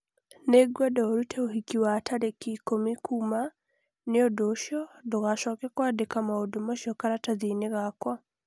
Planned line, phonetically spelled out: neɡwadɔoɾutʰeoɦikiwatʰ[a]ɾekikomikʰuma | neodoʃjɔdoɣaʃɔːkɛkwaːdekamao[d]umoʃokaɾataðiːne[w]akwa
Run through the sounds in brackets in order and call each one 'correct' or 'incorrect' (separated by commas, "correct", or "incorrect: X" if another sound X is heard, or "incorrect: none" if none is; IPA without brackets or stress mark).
correct, correct, incorrect: ɣ